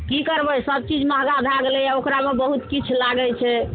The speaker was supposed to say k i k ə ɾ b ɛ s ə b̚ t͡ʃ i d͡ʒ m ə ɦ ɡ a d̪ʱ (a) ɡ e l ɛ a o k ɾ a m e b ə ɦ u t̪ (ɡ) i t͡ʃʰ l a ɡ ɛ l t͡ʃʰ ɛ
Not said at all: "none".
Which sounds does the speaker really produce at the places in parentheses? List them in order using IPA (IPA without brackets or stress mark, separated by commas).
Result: a, k